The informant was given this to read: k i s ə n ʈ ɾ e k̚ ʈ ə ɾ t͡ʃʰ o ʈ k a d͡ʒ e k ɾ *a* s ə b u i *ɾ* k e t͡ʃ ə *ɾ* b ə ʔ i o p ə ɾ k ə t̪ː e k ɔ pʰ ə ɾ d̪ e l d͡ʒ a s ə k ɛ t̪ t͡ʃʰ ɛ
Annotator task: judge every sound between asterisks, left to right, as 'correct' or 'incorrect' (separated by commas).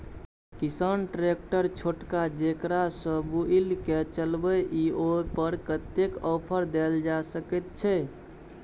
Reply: correct, incorrect, incorrect